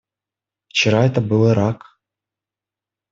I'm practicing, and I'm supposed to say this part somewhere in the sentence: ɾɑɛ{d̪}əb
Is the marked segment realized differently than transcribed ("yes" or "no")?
yes